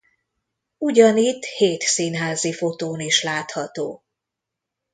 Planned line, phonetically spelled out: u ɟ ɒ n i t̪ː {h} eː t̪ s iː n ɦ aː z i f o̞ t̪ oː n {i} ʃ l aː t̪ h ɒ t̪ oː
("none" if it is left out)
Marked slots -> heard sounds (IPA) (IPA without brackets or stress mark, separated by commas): h, i